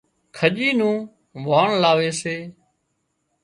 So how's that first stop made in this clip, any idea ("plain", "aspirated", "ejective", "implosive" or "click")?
aspirated